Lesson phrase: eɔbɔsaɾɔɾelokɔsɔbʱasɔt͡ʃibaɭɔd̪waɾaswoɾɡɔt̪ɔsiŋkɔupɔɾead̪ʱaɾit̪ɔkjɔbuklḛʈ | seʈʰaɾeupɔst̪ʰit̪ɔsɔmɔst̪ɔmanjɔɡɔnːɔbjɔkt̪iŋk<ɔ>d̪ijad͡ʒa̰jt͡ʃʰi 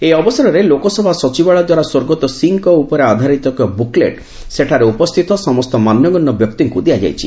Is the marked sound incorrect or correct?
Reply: incorrect: u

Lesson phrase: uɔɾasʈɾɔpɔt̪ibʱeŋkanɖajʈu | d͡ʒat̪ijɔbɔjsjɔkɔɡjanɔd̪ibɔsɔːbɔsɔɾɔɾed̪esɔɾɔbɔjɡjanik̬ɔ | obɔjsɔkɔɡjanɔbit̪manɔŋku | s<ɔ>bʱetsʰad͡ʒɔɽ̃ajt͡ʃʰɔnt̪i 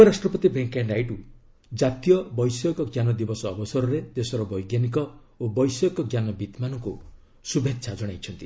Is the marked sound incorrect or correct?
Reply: incorrect: u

